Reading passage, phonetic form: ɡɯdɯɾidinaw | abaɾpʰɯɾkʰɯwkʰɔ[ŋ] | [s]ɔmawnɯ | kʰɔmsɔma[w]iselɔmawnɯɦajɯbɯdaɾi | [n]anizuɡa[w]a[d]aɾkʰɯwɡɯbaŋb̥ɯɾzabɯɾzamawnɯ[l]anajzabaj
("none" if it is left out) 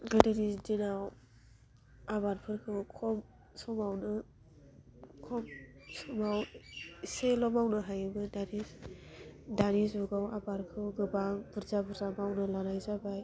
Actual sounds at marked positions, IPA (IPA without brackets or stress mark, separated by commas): m, s, w, d, w, b, l